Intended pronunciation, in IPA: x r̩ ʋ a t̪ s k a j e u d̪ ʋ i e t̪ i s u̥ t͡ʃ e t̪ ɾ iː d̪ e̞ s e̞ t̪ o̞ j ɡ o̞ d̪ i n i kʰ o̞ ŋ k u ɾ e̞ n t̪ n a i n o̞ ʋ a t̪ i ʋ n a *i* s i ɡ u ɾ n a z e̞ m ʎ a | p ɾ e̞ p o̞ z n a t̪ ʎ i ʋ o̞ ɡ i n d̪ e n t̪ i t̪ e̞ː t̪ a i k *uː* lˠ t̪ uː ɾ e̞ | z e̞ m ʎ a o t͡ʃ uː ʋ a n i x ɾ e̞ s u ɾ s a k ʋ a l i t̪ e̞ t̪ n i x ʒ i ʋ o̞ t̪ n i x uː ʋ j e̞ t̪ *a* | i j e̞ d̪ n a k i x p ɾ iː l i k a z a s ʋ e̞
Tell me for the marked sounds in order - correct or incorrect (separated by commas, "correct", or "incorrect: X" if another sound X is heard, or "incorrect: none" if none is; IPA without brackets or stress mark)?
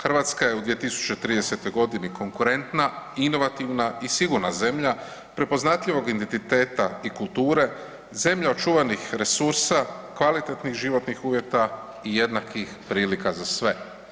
correct, incorrect: u, correct